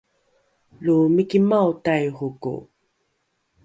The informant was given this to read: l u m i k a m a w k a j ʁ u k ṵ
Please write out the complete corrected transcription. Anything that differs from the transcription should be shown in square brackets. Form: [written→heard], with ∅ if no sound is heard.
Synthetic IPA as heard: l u m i k [a→i] m a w [k→t] a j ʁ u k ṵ